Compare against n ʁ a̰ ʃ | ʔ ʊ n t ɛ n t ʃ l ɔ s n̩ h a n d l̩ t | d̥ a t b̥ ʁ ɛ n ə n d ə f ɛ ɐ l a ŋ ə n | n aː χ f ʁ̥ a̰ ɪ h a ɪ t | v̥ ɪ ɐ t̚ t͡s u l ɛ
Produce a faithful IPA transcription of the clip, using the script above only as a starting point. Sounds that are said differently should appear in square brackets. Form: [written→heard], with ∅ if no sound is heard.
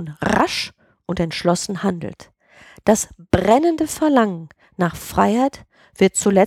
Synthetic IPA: n ʁ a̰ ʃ | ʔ ʊ n t ɛ n t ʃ l ɔ s n̩ h a n d l̩ t | d̥ a [t→s] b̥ ʁ ɛ n ə n d ə f ɛ ɐ l a ŋ ə n | n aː χ f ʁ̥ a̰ ɪ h a ɪ t | v̥ ɪ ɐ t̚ t͡s u l ɛ